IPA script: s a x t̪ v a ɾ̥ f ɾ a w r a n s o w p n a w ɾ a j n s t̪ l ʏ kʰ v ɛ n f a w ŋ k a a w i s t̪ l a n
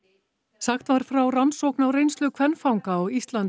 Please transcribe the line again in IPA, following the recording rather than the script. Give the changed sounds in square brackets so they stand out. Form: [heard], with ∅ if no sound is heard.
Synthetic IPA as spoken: s a x t̪ v a ɾ̥ f ɾ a w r a n s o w [k] n a w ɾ [e] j n s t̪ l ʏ kʰ v ɛ n f a w ŋ k a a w i s t̪ l a n